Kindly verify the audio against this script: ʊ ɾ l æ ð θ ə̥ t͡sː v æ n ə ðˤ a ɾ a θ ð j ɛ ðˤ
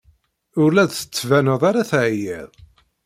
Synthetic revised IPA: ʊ ɾ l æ ð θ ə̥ t͡sː v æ n ə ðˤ a ɾ a θ ʕ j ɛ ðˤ